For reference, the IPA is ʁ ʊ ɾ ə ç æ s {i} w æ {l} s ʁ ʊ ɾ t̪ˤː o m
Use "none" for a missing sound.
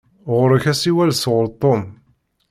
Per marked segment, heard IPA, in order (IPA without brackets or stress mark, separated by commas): i, l